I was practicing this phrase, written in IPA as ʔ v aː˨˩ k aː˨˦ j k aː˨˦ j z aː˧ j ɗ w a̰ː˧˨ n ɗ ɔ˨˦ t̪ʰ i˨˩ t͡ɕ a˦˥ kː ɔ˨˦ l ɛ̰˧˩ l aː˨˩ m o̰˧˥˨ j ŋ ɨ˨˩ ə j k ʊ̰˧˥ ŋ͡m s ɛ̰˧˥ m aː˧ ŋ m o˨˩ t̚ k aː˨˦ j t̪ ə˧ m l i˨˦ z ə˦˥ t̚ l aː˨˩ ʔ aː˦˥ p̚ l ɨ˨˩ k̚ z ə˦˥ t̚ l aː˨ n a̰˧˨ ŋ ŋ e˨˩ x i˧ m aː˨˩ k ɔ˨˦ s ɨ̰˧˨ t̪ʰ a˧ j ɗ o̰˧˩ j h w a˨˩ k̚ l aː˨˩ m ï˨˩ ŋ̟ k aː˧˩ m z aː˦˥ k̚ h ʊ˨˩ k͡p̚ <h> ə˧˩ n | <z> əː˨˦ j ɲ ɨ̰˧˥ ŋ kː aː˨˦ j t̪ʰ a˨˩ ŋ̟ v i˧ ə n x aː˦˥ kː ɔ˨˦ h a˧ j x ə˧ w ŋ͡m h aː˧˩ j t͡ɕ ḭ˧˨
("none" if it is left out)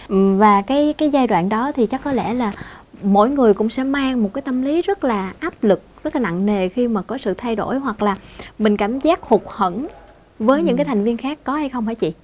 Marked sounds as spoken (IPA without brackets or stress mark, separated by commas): h, v